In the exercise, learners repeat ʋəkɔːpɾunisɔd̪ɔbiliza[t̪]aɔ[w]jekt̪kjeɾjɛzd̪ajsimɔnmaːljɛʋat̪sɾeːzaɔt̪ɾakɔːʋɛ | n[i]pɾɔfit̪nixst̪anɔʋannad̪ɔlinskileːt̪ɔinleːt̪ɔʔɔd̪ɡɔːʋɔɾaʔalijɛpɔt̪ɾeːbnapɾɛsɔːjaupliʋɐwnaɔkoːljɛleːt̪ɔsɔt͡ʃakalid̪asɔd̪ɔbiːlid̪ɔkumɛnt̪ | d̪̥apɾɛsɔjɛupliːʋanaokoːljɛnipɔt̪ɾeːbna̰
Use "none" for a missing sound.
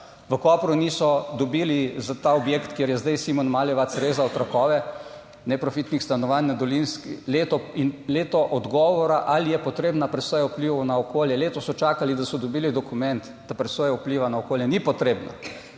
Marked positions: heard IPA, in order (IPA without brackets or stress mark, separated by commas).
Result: t̪, b, ɛ